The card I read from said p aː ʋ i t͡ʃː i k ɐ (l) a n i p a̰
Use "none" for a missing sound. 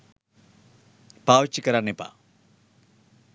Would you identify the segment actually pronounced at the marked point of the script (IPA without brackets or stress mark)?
ɾ